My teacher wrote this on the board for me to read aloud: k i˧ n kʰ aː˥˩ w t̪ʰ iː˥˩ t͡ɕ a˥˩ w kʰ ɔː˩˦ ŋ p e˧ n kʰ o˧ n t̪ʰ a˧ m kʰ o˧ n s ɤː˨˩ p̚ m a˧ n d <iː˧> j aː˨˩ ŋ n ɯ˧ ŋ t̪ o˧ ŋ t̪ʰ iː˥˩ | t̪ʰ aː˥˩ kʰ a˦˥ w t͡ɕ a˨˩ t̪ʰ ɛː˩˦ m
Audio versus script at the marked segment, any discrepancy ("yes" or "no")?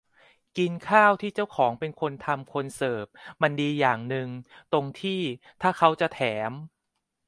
no